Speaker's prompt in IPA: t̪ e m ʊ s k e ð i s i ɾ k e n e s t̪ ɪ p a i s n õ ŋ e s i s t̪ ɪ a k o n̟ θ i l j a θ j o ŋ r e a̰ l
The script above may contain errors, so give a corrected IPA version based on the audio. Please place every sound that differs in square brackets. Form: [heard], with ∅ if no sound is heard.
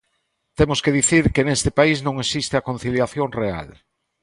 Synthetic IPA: t̪ e m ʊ s k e ð i [θ] i ɾ k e n e s t̪ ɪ p a i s n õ ŋ e s i s t̪ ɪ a k o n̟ θ i l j a θ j o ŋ r e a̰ l